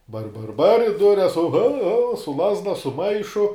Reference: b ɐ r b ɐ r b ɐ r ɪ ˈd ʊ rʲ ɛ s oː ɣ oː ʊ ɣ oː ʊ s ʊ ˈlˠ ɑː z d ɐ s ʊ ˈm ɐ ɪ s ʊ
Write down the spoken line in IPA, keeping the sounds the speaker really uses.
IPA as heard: b ɐ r b ɐ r b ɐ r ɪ ˈd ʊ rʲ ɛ s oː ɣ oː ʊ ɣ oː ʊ s ʊ ˈlˠ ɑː z d ɐ s ʊ ˈm ɐ ɪ ʃ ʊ